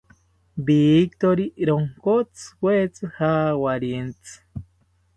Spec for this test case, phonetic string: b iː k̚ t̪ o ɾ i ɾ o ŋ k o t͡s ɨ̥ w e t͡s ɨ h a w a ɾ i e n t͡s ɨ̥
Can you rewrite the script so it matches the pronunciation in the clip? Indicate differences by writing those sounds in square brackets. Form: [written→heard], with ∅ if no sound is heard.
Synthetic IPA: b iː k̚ t̪ o ɾ i ɾ o ŋ k o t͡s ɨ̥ w e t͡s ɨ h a w a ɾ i e n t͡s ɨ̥